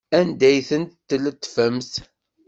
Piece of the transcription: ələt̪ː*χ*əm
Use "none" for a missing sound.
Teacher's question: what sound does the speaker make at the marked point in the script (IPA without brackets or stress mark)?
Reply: f